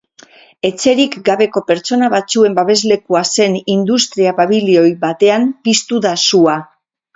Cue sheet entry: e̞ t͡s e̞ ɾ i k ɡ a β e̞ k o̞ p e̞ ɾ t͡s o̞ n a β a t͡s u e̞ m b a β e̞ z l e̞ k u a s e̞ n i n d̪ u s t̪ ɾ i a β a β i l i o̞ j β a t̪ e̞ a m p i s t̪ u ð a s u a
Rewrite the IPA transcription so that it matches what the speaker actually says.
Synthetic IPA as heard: e̞ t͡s e̞ ɾ i k ɡ a β e̞ k o̞ p e̞ ɾ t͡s o̞ n a β a t͡s u e̞ m b a β e̞ z l e̞ k u a s e̞ n i n d̪ u s t̪ ɾ i a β a β i l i o̞ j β a t̪ e̞ a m p i s t̪ u ð a s u a